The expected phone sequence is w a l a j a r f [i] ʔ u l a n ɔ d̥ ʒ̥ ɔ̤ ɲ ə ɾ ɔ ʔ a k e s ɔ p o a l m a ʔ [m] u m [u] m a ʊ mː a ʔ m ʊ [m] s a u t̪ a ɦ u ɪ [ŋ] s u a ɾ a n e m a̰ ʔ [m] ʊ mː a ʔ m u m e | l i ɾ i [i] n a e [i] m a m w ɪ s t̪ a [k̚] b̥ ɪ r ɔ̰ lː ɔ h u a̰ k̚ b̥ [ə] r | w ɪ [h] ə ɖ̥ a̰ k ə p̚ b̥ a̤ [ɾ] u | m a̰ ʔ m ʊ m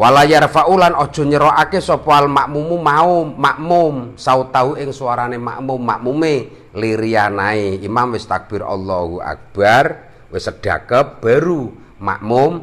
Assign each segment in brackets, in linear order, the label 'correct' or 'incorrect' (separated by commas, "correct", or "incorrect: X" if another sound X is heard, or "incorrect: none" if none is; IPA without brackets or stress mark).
incorrect: a, correct, correct, correct, correct, correct, incorrect: a, correct, correct, incorrect: a, incorrect: s, correct